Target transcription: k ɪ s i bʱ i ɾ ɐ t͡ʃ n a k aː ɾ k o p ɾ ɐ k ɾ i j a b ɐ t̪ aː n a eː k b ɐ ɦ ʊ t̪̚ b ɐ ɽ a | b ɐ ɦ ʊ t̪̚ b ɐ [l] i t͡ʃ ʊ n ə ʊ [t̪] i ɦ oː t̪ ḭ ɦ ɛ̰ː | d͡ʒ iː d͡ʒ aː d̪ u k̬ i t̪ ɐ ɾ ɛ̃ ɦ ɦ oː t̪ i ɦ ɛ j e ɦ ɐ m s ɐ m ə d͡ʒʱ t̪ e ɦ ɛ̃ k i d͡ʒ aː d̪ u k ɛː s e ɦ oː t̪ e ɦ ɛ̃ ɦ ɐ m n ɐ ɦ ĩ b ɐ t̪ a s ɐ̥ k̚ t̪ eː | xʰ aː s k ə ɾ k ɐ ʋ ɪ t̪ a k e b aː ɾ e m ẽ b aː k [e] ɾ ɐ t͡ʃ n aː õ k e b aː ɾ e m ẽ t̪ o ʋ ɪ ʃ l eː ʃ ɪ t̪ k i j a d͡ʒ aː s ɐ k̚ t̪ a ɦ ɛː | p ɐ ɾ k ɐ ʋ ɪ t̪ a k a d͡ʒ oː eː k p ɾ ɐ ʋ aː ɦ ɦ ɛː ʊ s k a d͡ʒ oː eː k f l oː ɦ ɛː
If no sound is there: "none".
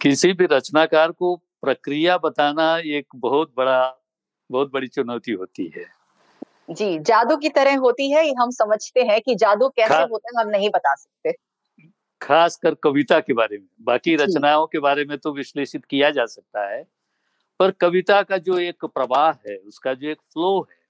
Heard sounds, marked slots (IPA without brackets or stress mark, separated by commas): ɽ, t̪, i